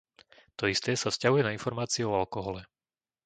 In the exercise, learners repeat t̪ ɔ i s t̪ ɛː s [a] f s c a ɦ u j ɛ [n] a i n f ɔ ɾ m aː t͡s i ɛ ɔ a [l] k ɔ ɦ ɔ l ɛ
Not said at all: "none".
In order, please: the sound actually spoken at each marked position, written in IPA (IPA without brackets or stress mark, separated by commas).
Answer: a, n, l